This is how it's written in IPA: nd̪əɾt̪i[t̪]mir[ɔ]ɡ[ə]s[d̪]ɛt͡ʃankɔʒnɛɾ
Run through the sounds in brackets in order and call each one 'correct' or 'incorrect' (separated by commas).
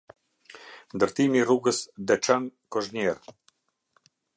incorrect, incorrect, correct, correct